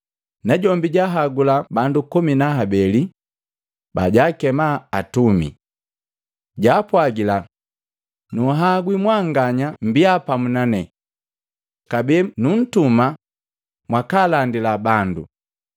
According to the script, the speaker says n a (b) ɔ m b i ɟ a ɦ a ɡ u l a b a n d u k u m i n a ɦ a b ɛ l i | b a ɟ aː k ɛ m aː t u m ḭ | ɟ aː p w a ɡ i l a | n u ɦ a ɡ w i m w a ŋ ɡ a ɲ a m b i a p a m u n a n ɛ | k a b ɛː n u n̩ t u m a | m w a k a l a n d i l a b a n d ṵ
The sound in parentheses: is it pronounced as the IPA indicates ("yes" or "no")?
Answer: no